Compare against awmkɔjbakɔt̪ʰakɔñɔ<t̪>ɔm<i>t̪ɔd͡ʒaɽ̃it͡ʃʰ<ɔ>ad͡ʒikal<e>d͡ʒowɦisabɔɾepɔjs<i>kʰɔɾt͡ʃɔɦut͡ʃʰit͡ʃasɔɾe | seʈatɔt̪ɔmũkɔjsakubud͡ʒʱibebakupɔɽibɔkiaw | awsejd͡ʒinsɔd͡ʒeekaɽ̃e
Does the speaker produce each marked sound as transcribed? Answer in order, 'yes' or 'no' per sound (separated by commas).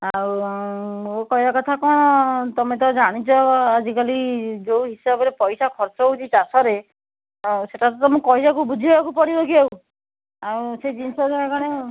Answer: yes, no, yes, no, no